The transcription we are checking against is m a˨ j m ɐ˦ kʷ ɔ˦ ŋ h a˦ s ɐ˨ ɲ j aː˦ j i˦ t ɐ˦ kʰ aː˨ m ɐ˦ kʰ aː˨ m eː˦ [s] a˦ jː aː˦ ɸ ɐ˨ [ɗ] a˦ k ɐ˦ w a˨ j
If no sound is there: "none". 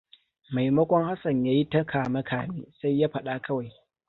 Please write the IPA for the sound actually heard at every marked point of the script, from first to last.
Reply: s, ɗ

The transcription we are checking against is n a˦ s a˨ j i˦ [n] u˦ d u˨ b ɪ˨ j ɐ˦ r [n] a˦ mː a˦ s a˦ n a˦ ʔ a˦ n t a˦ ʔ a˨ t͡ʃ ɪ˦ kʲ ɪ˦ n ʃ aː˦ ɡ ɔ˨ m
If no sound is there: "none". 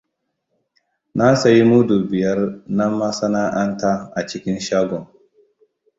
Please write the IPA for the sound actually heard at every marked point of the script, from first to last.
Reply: m, n

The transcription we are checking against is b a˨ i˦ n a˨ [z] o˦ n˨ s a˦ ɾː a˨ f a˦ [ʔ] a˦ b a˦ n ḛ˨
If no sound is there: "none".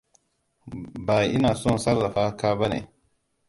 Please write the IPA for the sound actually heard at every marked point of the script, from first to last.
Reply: s, k

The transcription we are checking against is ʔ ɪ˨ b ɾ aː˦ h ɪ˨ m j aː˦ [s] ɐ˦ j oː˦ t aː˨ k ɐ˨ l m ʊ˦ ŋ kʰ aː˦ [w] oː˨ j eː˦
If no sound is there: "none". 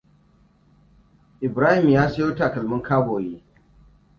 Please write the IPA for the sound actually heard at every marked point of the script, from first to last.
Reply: s, b

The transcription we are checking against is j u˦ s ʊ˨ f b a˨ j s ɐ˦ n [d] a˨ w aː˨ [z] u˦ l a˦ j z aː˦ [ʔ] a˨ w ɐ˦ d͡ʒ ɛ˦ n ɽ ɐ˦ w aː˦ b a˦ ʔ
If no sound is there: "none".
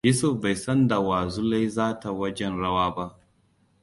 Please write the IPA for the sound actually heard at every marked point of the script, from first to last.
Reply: d, z, t

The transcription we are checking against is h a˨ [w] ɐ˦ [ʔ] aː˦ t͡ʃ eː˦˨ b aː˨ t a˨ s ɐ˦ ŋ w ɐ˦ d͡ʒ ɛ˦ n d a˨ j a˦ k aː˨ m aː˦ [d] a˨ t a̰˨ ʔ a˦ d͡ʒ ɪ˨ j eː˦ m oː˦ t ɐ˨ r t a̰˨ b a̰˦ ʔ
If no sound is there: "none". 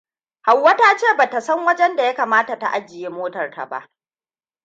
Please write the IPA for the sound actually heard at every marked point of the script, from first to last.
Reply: wː, t, t

